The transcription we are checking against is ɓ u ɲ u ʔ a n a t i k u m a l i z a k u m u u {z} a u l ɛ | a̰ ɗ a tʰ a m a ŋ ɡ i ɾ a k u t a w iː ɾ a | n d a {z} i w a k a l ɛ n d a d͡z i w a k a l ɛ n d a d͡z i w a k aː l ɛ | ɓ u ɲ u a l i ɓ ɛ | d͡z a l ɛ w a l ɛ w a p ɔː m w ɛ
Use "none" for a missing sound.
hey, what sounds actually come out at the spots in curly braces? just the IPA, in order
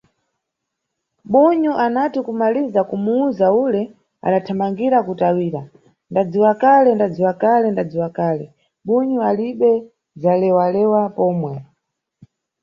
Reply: z, d͡z

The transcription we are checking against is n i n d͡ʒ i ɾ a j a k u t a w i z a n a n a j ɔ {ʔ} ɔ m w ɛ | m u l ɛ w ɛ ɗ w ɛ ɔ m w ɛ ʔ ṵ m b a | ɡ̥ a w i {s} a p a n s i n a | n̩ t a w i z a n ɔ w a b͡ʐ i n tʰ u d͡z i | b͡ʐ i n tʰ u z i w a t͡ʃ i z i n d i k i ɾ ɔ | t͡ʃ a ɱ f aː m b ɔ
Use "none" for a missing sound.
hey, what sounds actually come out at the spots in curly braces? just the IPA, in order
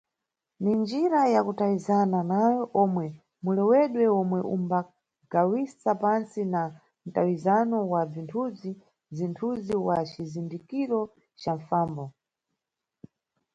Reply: ʔ, s

